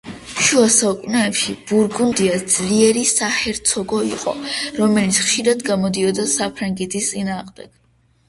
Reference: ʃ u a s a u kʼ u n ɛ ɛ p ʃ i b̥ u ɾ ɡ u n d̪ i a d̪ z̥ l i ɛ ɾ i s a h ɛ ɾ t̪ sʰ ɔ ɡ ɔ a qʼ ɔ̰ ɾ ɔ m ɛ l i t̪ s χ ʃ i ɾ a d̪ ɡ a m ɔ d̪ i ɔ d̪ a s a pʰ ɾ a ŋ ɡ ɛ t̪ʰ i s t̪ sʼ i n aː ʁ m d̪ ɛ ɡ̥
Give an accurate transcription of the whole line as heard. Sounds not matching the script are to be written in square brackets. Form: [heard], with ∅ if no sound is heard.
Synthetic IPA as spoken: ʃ u a s a u kʼ u n ɛ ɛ p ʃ i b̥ u ɾ ɡ u n d̪ i a d̪ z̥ l i ɛ ɾ i s a h ɛ ɾ t̪ sʰ ɔ ɡ ɔ [i] qʼ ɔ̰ ɾ ɔ m ɛ l i t̪ s χ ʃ i ɾ a d̪ ɡ a m ɔ d̪ i ɔ d̪ a s a pʰ ɾ a ŋ ɡ ɛ t̪ʰ i s t̪ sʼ i n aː ʁ m d̪ ɛ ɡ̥

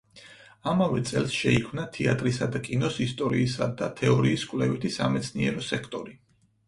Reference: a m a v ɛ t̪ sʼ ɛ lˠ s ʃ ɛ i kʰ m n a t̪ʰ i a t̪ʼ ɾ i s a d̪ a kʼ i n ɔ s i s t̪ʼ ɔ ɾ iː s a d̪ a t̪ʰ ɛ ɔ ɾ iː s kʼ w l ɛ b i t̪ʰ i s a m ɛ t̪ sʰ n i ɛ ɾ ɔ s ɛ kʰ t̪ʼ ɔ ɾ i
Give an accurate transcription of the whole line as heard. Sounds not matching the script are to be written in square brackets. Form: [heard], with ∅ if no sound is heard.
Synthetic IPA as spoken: a m a v ɛ t̪ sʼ ɛ lˠ s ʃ ɛ i kʰ m n a t̪ʰ i a t̪ʼ ɾ i s a d̪ a kʼ i n ɔ s i s t̪ʼ ɔ ɾ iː s a d̪ a t̪ʰ ɛ ɔ ɾ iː s kʼ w l ɛ [v] i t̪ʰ i s a m ɛ t̪ sʰ n i ɛ ɾ ɔ s ɛ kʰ t̪ʼ ɔ ɾ i

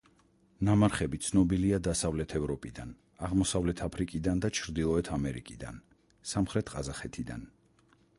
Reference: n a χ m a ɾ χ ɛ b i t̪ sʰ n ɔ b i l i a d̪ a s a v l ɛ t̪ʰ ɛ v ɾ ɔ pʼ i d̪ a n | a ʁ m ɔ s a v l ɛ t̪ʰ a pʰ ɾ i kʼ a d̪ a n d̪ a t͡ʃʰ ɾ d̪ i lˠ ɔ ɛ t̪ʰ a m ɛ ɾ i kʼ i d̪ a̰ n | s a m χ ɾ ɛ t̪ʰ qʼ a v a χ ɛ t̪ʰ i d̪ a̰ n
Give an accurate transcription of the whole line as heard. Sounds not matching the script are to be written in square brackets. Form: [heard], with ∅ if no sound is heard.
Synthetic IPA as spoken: n a [∅] m a ɾ χ ɛ b i t̪ sʰ n ɔ b i l i a d̪ a s a v l ɛ t̪ʰ ɛ v ɾ ɔ pʼ i d̪ a n | a ʁ m ɔ s a v l ɛ t̪ʰ a pʰ ɾ i kʼ [i] d̪ a n d̪ a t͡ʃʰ ɾ d̪ i lˠ ɔ ɛ t̪ʰ a m ɛ ɾ i kʼ i d̪ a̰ n | s a m χ ɾ ɛ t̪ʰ qʼ a [z] a χ ɛ t̪ʰ i d̪ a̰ n

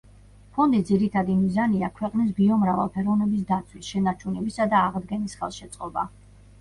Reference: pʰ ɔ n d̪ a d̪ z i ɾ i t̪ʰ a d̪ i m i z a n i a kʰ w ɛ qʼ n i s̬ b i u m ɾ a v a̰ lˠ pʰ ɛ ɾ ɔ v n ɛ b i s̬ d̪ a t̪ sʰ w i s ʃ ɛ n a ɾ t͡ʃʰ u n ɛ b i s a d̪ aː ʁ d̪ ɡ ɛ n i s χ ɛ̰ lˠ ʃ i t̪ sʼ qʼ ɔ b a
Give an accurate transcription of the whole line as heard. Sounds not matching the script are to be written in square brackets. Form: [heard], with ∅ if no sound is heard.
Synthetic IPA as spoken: pʰ ɔ n d̪ [i] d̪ z i ɾ i t̪ʰ a d̪ i m i z a n i a kʰ w ɛ qʼ n i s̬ b i [ɔ] m ɾ a v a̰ lˠ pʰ ɛ ɾ ɔ v n ɛ b i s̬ d̪ a t̪ sʰ w i s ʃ ɛ n a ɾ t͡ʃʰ u n ɛ b i s a d̪ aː ʁ d̪ ɡ ɛ n i s χ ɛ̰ lˠ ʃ [ɛ] t̪ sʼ qʼ ɔ b a

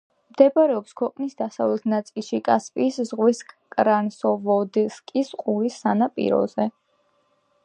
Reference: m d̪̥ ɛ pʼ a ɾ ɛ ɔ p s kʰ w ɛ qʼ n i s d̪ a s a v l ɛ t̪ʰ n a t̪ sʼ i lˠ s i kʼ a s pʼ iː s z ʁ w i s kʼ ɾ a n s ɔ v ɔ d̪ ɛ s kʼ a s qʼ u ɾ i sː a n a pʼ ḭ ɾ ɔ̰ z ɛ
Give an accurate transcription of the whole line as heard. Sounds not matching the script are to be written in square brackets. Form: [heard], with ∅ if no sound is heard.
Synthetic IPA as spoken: m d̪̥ ɛ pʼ a ɾ ɛ ɔ p s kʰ w ɛ qʼ n i s d̪ a s a v l ɛ t̪ʰ n a t̪ sʼ i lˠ [ʃ] i kʼ a s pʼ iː s z ʁ w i s kʼ ɾ a n s ɔ v ɔ d̪ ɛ s kʼ [i] s qʼ u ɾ i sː a n a pʼ ḭ ɾ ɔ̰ z ɛ

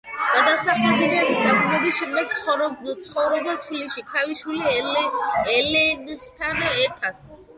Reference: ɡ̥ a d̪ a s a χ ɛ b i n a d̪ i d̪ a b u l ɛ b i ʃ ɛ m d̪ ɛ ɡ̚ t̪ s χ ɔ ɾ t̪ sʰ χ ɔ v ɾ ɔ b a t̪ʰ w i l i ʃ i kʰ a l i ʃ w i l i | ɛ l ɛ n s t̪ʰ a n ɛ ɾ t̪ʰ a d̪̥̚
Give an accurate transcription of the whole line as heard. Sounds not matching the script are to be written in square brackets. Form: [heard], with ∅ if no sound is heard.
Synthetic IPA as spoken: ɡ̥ a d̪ a s a χ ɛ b i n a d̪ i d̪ a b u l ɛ b i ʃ ɛ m d̪ ɛ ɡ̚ t̪ s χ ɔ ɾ t̪ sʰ χ ɔ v ɾ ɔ b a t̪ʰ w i l i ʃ i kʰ a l i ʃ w i l i | ɛ l ɛ n s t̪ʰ a n ɛ ɾ t̪ʰ a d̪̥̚

